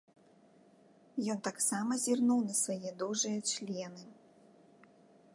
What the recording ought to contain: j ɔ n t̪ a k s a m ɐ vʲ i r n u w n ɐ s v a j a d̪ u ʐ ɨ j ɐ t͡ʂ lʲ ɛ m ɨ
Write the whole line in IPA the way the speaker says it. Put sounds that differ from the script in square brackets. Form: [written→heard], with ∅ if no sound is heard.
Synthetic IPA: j ɔ n t̪ a k s a m ɐ [vʲ→zʲ] i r n u w n ɐ s v a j [a→ɛ] d̪ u ʐ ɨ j ɐ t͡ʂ lʲ ɛ [m→n] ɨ